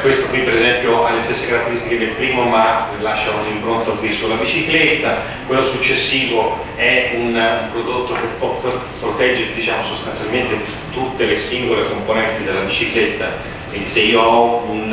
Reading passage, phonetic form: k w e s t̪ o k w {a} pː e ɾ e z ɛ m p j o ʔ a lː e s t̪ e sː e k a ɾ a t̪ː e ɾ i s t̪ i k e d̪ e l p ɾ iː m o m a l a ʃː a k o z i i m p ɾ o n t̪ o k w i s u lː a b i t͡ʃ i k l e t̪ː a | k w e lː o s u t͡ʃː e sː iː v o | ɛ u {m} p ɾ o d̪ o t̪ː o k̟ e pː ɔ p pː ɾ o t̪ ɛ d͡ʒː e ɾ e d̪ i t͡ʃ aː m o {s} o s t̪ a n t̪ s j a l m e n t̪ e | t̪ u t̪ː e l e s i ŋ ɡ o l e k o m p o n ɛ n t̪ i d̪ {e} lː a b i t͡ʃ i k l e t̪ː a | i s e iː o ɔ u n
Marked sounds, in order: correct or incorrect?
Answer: incorrect, incorrect, correct, correct

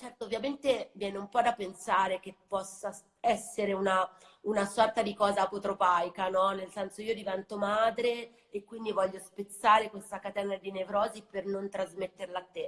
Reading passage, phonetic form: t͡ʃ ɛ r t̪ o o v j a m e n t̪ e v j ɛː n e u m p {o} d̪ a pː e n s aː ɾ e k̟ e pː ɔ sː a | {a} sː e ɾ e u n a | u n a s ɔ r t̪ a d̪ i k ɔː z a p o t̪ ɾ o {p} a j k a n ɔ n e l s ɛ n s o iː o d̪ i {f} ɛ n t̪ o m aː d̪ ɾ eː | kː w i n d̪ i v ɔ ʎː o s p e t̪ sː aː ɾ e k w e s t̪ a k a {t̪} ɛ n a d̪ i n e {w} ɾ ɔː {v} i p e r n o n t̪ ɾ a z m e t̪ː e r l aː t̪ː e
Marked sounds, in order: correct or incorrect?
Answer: incorrect, incorrect, correct, incorrect, correct, incorrect, incorrect

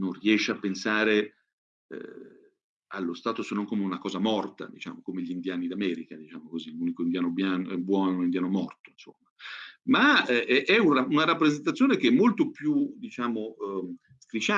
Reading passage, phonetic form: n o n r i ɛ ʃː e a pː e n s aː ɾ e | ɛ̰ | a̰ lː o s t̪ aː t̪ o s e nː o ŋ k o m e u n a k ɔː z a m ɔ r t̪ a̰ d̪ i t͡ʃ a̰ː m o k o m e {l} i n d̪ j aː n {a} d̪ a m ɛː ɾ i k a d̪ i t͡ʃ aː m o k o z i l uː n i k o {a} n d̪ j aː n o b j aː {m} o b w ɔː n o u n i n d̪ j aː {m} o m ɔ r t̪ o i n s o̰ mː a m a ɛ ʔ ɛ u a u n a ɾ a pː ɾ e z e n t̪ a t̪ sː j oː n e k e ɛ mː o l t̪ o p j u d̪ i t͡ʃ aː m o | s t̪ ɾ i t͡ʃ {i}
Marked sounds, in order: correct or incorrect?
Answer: incorrect, incorrect, incorrect, incorrect, incorrect, incorrect

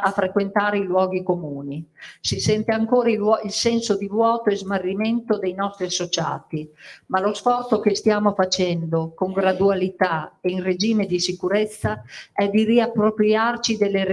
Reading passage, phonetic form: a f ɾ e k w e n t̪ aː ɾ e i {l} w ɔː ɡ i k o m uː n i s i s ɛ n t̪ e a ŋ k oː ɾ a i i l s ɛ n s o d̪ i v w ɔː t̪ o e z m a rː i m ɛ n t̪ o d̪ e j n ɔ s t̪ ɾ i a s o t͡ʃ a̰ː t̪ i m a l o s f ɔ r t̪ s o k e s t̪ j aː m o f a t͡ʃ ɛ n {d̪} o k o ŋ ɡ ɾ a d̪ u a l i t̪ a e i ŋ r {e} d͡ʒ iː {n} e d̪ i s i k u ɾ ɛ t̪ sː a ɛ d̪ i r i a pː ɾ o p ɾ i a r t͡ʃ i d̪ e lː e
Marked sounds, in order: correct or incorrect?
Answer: correct, correct, correct, incorrect

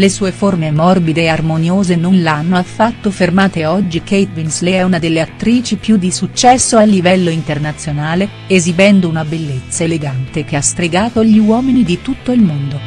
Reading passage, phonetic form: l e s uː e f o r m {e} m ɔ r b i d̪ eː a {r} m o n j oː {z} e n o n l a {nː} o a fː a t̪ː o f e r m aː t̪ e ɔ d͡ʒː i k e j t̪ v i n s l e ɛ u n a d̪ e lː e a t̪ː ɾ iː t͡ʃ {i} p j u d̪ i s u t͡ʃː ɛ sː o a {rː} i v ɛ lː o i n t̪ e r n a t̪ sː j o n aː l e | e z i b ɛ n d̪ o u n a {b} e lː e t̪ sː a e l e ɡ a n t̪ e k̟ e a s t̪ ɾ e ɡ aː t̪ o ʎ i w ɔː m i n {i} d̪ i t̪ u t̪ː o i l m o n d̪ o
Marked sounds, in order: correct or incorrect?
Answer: correct, correct, correct, correct, correct, incorrect, correct, correct

